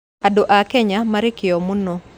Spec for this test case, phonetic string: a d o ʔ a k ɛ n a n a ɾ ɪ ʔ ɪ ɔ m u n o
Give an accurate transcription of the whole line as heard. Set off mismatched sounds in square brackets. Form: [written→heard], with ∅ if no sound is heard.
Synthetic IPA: a d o ʔ a k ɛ [n→ɲ] a [n→m] a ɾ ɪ [ʔ→k] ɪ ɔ m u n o